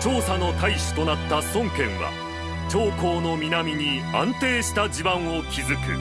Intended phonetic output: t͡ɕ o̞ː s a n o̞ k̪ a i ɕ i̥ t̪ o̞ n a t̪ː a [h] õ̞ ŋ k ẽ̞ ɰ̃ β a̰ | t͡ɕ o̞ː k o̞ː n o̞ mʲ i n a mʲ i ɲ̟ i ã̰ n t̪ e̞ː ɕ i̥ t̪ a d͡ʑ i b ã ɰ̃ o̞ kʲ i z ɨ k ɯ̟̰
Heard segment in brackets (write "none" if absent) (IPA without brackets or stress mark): s